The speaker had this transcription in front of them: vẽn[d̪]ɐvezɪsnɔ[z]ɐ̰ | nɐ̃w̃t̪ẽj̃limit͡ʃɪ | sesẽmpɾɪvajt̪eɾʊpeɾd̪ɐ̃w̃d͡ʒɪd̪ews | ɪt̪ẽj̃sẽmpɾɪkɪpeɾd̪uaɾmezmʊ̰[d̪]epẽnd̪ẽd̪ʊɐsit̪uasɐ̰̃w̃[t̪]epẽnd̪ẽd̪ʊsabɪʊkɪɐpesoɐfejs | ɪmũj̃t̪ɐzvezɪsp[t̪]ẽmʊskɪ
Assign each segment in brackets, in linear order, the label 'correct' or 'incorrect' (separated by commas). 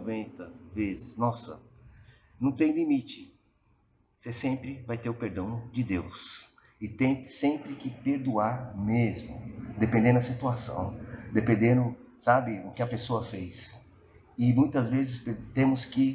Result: incorrect, incorrect, correct, incorrect, correct